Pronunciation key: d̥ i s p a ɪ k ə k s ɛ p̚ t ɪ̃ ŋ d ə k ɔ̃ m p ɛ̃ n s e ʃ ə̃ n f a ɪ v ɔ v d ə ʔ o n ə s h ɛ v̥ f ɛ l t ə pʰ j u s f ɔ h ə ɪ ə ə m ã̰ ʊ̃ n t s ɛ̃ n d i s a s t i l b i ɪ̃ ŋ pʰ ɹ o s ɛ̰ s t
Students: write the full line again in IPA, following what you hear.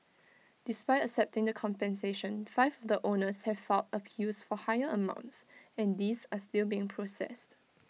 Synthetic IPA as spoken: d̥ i s p a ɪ t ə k s ɛ p̚ t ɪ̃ ŋ d ə kʰ ɔ̃ m p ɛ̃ n s e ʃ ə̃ n f a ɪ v ɔ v d ə ʔ o n ə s h ɛ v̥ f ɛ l t ə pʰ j u s f ɔ h a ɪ ə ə m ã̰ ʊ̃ n t s ɛ̃ n d i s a s t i l b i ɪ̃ ŋ pʰ ɹ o s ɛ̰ s t